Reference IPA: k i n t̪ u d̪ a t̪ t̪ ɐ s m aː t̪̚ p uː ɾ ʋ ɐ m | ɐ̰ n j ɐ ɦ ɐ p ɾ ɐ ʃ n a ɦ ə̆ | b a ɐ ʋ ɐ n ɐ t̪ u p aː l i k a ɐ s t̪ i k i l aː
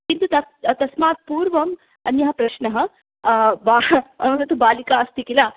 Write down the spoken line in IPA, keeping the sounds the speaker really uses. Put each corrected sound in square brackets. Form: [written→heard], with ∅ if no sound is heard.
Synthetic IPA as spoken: k i n t̪ u [d̪→t̪] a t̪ t̪ ɐ s m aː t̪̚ p uː ɾ ʋ ɐ m | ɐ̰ n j ɐ ɦ ɐ p ɾ ɐ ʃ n [a→ɐ] ɦ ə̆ | b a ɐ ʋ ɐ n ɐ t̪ u [p→b] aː l i k a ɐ s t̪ i k i l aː

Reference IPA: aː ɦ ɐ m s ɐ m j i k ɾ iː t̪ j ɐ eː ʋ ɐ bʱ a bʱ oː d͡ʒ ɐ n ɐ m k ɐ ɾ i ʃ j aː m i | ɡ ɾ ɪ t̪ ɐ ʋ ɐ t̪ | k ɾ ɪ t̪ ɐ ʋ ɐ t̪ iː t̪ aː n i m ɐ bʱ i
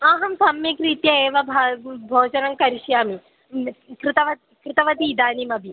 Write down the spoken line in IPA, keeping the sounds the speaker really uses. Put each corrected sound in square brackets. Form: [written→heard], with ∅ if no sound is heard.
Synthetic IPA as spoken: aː ɦ ɐ m s ɐ m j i k ɾ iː t̪ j ɐ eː ʋ ɐ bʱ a bʱ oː d͡ʒ ɐ n ɐ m k ɐ ɾ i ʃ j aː m i | [ɡ→k] ɾ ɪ t̪ ɐ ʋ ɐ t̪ | k ɾ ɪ t̪ ɐ ʋ ɐ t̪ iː [t̪→d̪] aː n i m ɐ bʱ i

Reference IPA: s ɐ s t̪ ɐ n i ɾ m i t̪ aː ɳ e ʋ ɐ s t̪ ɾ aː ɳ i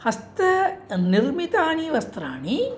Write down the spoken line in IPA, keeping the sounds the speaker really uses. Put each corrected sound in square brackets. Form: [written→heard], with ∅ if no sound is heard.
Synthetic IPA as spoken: [s→h] ɐ s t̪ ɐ n i ɾ m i t̪ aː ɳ [e→i] ʋ ɐ s t̪ ɾ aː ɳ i

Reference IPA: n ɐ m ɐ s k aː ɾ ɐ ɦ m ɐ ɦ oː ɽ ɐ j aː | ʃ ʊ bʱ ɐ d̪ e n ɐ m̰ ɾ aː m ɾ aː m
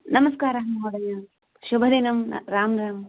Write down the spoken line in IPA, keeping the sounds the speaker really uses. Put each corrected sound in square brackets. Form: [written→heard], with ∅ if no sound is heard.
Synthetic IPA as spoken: n ɐ m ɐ s k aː ɾ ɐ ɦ m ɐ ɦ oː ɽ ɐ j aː | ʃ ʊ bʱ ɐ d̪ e n ɐ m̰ ɾ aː m ɾ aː m

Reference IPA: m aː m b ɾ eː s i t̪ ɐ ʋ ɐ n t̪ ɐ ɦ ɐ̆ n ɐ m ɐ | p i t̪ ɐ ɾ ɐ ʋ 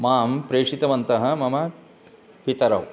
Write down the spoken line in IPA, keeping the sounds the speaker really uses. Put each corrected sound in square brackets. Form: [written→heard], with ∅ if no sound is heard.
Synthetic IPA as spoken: m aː m [b→p] ɾ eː [s→ʂ] i t̪ ɐ ʋ ɐ n t̪ ɐ ɦ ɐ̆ [n→m] ɐ m ɐ | p i t̪ ɐ ɾ ɐ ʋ

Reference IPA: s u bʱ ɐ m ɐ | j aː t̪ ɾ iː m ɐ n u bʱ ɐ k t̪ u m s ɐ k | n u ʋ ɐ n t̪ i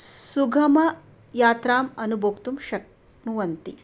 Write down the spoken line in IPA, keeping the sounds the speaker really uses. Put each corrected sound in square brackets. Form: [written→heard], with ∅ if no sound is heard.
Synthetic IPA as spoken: s u [bʱ→ɡʱ] ɐ m ɐ | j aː t̪ ɾ [iː→aː] m ɐ n u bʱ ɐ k t̪ u m [s→ʃ] ɐ k | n u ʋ ɐ n t̪ i

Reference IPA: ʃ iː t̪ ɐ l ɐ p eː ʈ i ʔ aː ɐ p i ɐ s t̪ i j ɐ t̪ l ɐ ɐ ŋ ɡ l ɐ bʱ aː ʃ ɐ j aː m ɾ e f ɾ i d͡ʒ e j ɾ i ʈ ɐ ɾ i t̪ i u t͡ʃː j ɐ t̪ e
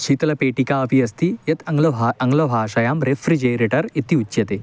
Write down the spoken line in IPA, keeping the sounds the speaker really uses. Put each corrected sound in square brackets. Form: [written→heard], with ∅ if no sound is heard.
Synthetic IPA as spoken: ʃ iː t̪ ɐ l ɐ p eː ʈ i [ʔ→k] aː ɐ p i ɐ s t̪ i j ɐ t̪ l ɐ ɐ ŋ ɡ l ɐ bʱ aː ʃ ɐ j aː m ɾ e f ɾ i d͡ʒ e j ɾ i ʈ ɐ ɾ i t̪ i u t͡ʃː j ɐ t̪ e

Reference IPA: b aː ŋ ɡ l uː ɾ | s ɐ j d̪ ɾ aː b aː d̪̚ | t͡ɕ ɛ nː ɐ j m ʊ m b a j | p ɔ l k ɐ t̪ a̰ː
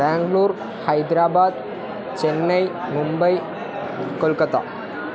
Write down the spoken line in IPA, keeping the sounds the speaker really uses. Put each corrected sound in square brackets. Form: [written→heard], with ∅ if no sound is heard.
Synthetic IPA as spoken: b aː ŋ ɡ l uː ɾ | [s→h] ɐ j d̪ ɾ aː b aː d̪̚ | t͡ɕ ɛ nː ɐ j m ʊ m b [a→ɐ] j | [p→k] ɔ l k ɐ t̪ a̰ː

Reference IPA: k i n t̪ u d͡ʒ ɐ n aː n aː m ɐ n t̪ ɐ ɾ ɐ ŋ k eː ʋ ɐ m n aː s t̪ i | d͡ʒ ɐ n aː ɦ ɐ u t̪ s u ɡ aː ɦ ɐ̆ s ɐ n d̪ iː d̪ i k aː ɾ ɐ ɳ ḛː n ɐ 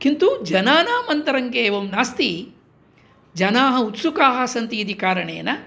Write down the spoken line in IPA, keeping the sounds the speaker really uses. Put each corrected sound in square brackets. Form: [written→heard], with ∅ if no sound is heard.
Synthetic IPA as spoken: k i n t̪ u d͡ʒ ɐ n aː n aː m ɐ n t̪ ɐ ɾ ɐ ŋ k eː ʋ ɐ m n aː s t̪ i | d͡ʒ ɐ n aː ɦ ɐ u t̪ s u [ɡ→k] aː ɦ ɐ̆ s ɐ n [d̪→t̪] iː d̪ i k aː ɾ ɐ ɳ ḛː n ɐ

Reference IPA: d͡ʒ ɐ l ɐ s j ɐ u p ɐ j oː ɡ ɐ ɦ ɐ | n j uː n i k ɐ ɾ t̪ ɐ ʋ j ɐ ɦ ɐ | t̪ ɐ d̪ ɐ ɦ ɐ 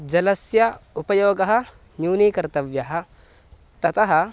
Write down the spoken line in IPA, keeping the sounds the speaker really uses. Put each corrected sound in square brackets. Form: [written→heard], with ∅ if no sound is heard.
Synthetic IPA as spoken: d͡ʒ ɐ l ɐ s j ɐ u p ɐ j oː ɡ ɐ ɦ ɐ | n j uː n i k ɐ ɾ t̪ ɐ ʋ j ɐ ɦ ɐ | t̪ ɐ [d̪→t̪] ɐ ɦ ɐ

